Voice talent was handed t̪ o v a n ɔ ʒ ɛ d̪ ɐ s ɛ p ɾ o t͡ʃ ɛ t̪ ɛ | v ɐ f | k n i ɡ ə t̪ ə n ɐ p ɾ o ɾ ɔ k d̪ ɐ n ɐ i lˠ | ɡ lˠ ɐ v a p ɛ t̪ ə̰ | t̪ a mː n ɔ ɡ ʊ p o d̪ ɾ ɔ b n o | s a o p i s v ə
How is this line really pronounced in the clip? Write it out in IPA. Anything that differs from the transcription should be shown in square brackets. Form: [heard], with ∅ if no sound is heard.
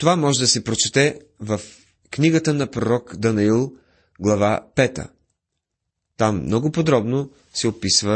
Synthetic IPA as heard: t̪ o v a [m] ɔ ʒ ɛ d̪ ɐ s ɛ p ɾ o t͡ʃ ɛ t̪ ɛ | v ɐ f | k n i ɡ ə t̪ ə n ɐ p ɾ o ɾ ɔ k d̪ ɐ n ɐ i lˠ | ɡ lˠ ɐ v a p ɛ t̪ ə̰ | t̪ a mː n ɔ ɡ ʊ p o d̪ ɾ ɔ b n o | s [ɛ] o p i s v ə